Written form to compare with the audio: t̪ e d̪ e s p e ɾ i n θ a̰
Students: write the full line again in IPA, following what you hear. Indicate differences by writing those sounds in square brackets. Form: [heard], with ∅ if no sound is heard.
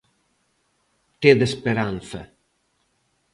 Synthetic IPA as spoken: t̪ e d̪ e s p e ɾ [a] n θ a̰